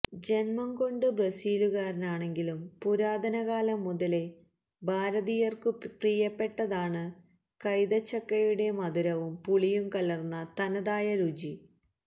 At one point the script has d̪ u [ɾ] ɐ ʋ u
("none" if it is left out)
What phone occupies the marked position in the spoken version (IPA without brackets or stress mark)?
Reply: ɾ